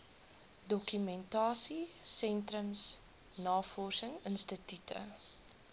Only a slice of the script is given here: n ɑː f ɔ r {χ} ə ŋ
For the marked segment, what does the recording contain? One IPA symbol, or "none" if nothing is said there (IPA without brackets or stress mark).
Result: s